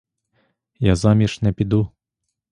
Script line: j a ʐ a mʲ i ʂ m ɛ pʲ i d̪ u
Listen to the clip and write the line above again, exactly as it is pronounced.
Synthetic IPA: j a z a mʲ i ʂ n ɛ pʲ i d̪ u